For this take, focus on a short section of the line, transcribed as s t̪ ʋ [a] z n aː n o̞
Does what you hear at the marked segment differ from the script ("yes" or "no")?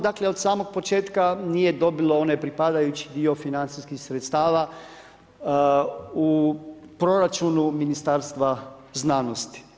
no